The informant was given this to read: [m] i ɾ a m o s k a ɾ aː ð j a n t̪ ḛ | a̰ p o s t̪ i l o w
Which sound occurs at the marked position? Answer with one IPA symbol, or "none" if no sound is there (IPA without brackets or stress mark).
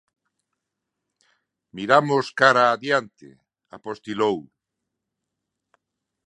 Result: m